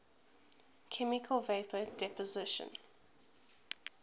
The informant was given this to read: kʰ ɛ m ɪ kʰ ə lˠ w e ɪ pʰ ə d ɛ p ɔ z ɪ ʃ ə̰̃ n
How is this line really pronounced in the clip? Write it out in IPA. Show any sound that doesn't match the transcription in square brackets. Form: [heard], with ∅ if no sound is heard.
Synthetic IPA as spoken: kʰ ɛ m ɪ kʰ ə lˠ [v] e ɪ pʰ ə d ɛ p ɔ z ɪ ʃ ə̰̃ n